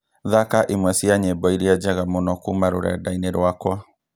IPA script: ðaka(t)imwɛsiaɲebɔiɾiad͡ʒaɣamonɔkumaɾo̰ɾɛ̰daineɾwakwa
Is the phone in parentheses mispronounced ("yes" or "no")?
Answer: yes